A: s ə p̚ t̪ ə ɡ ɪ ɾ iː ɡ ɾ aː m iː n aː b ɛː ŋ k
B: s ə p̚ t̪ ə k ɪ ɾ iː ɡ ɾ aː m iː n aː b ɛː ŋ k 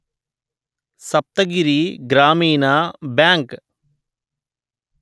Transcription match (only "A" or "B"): A